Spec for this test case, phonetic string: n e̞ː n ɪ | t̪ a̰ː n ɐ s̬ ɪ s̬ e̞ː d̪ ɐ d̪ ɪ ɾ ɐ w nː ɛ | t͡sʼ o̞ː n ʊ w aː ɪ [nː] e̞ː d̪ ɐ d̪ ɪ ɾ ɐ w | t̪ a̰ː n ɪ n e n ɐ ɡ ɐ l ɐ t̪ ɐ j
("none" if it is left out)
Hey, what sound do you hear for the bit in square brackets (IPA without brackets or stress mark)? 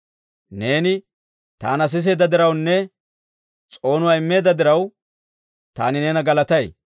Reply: mː